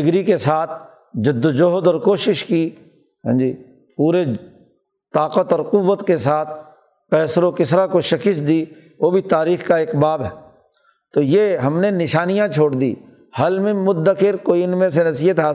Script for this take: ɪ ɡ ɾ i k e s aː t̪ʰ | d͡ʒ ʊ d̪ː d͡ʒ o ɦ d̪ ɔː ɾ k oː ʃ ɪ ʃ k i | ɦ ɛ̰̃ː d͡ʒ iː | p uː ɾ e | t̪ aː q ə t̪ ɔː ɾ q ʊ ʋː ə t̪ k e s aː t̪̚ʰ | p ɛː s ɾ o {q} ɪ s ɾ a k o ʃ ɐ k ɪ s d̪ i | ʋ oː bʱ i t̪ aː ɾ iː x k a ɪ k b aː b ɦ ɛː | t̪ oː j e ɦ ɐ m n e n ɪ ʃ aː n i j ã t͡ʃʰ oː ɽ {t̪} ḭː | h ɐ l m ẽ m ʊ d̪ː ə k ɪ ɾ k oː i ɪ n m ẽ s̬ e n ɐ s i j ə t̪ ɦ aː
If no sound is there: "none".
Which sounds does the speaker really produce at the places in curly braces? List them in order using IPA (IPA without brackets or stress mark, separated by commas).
k, d̪